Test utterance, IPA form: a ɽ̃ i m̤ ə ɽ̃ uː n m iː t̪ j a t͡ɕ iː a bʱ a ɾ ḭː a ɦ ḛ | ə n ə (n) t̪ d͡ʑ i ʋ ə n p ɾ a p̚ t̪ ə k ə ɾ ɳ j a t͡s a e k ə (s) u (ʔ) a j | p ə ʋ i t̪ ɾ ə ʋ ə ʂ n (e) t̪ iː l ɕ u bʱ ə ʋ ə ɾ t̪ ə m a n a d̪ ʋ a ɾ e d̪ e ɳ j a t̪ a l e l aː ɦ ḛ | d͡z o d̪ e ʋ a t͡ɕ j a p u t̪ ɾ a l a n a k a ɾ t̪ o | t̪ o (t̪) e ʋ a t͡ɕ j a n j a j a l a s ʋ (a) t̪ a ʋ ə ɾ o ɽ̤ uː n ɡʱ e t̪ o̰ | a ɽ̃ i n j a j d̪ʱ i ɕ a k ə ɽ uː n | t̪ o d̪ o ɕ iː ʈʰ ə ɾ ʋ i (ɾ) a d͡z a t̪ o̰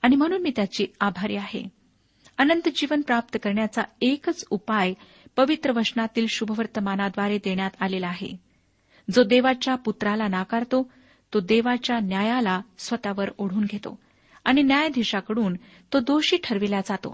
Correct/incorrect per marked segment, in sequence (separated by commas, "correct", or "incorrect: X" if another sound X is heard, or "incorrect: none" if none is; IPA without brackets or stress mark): correct, incorrect: t͡s, incorrect: p, incorrect: a, incorrect: d̪, incorrect: ə, incorrect: l